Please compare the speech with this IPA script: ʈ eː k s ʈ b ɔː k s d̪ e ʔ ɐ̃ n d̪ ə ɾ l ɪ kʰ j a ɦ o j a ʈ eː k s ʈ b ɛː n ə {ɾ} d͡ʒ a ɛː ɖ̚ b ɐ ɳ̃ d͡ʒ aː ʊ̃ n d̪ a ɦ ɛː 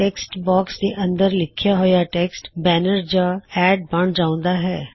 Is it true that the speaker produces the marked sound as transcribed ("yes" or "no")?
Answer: yes